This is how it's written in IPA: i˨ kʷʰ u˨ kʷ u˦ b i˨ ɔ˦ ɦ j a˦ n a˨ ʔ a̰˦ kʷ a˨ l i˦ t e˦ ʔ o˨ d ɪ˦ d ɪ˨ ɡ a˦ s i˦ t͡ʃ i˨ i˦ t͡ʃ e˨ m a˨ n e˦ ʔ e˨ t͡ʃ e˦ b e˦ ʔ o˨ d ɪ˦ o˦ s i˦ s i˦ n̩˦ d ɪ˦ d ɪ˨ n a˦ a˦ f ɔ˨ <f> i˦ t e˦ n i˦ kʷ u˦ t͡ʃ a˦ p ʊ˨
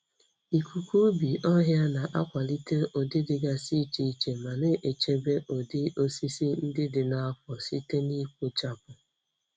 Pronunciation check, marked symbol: incorrect: s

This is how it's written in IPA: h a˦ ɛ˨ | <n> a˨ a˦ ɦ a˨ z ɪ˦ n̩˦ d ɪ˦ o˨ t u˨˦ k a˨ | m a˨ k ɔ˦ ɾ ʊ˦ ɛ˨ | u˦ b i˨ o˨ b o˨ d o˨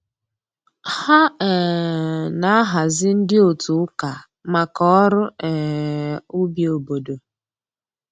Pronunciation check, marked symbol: correct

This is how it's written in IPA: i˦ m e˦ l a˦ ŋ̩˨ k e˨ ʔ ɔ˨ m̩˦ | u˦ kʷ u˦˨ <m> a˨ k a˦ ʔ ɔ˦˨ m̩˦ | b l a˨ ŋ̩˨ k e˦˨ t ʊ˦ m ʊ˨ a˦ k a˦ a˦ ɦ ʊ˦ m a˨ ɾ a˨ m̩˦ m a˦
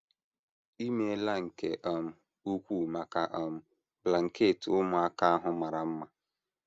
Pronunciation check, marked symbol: correct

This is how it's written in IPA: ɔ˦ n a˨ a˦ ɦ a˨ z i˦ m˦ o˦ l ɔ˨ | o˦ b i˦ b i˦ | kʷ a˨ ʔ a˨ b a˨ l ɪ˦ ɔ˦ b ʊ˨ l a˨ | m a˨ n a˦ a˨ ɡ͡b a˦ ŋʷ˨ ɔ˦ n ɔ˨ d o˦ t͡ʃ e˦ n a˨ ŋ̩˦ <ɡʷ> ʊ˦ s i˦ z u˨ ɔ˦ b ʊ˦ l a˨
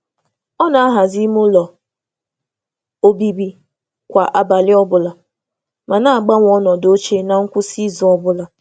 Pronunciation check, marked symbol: incorrect: kʷ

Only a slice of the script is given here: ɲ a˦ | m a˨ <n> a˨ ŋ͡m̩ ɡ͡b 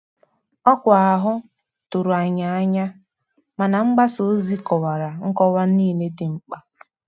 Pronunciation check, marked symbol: correct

